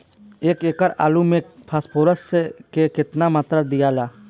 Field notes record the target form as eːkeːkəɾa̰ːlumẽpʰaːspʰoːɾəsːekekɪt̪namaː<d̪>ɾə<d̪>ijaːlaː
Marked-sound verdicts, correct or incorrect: incorrect, correct

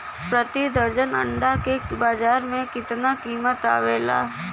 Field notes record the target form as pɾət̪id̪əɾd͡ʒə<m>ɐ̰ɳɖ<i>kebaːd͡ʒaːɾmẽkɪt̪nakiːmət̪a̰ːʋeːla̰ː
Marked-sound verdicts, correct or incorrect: incorrect, incorrect

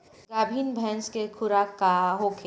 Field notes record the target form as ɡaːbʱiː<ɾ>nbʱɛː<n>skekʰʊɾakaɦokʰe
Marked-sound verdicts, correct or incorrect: incorrect, correct

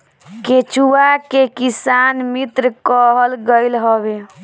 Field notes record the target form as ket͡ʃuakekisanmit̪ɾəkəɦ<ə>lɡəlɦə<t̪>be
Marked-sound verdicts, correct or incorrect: correct, incorrect

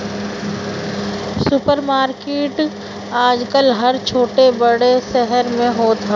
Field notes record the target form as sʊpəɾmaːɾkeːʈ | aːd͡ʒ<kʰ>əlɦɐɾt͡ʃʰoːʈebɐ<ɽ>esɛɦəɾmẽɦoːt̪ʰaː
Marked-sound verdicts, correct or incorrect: incorrect, correct

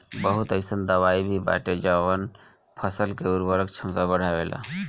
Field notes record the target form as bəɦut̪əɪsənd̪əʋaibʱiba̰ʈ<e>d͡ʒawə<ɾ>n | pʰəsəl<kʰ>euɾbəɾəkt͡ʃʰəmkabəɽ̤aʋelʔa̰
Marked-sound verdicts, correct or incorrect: correct, incorrect, incorrect

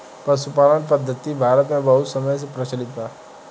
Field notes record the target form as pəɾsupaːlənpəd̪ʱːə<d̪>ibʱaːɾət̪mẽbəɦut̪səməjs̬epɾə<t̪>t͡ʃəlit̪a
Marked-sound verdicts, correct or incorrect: incorrect, incorrect

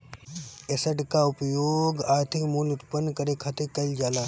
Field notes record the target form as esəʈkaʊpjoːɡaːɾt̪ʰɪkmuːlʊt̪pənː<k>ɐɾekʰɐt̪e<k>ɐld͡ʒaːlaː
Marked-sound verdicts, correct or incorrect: correct, correct

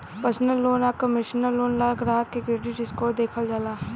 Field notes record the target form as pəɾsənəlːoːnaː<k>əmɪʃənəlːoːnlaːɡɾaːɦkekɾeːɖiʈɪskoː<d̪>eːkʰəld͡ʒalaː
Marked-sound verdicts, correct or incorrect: correct, correct

